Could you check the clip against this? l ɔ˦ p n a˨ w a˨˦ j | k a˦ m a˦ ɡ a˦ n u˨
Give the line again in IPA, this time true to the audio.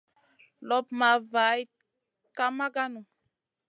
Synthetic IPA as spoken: l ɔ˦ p m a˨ v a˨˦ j | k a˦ m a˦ ɡ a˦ n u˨